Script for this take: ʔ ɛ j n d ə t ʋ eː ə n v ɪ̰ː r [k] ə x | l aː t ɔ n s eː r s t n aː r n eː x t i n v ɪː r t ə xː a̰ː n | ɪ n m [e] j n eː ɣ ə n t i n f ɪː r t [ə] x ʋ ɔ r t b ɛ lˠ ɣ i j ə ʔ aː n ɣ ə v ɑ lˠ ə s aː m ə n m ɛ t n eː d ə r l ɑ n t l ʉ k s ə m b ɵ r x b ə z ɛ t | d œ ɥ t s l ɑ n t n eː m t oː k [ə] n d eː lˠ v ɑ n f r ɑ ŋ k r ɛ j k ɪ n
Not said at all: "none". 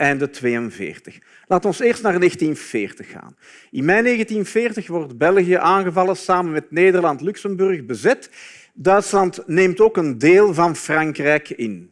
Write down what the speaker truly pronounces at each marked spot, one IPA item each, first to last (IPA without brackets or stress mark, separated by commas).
t, ɛ, ə, ə